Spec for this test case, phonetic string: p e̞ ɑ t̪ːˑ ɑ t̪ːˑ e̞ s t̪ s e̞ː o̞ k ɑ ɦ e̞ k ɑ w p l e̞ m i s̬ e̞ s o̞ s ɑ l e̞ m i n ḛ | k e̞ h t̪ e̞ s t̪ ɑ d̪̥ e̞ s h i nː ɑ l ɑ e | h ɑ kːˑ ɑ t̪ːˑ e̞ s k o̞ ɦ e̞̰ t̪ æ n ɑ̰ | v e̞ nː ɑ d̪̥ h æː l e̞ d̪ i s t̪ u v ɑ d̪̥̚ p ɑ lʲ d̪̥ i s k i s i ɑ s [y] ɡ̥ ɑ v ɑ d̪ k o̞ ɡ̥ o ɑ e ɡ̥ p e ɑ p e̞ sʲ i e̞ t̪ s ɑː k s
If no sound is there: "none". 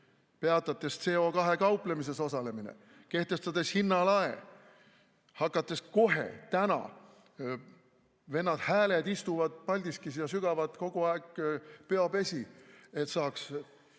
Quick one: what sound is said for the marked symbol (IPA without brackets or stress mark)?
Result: y